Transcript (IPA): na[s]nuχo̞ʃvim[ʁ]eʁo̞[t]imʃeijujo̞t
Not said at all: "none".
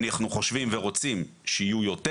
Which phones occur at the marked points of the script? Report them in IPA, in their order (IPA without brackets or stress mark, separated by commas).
χ, v, t͡s